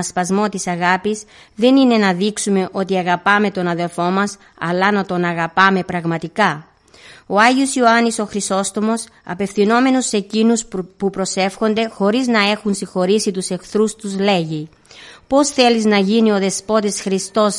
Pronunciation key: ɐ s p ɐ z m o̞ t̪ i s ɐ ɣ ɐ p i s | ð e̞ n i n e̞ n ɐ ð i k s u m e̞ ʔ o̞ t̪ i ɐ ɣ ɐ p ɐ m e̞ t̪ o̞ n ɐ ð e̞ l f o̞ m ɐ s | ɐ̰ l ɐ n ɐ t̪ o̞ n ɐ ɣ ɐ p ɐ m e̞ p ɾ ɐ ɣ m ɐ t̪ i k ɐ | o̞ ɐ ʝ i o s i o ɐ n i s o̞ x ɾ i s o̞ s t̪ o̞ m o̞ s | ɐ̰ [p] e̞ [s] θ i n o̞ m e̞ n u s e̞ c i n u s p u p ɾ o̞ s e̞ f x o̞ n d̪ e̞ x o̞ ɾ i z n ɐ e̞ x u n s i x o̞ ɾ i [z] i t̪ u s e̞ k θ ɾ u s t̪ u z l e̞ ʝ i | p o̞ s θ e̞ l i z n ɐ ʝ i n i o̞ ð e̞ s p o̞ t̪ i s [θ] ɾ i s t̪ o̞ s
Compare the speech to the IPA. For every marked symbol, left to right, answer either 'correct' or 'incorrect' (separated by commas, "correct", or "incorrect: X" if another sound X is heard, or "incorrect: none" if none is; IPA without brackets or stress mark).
correct, incorrect: f, incorrect: s, incorrect: x